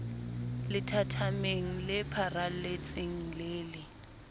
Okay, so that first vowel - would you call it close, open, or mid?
close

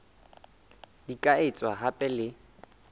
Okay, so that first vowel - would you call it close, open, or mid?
close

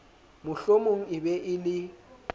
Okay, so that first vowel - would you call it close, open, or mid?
close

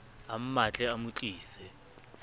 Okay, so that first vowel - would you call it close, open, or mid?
open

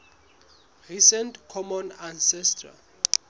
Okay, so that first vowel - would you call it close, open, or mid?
close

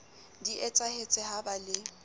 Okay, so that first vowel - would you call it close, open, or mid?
close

